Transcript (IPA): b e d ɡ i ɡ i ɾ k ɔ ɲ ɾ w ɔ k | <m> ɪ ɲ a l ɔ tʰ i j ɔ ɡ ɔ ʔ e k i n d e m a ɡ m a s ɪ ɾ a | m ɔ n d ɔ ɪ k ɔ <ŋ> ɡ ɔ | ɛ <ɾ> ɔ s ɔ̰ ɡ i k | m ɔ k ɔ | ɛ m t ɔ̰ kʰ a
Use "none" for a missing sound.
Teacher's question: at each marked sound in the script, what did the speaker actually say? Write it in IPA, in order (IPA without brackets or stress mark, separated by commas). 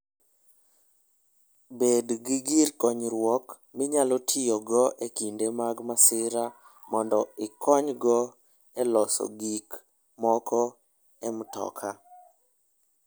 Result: m, ɲ, l